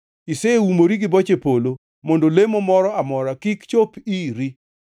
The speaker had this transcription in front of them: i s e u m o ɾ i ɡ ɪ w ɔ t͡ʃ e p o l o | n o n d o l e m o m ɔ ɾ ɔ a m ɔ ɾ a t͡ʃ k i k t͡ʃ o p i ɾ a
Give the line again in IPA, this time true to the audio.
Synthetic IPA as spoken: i s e u m o ɾ i ɡ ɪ b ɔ t͡ʃ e p o l o | m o n d o l e m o m ɔ ɾ ɔ a m ɔ ɾ a k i k t͡ʃ o p i ɾ i